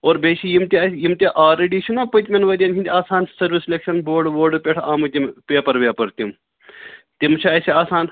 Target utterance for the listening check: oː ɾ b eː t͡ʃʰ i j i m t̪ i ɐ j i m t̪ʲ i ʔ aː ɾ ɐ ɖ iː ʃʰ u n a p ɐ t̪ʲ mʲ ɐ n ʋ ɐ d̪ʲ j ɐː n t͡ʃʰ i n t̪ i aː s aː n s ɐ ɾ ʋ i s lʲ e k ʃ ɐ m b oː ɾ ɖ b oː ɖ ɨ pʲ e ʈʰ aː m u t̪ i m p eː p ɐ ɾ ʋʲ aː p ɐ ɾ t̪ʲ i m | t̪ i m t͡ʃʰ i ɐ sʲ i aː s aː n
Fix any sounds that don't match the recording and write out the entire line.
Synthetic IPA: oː ɾ b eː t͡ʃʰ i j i m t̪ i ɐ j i m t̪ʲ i ʔ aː ɾ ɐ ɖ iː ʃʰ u n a p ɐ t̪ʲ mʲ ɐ n ʋ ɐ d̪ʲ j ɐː n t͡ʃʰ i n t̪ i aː s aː n s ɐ ɾ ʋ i s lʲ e k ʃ ɐ n b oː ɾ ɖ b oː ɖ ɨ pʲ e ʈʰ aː m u t̪ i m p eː p ɐ ɾ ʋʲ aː p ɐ ɾ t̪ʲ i m | t̪ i m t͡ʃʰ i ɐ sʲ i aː s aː n